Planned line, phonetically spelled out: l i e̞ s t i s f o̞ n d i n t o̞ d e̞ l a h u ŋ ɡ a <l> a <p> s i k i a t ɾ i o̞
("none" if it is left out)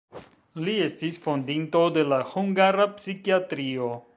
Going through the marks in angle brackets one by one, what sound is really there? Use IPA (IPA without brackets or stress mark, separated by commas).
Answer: ɾ, p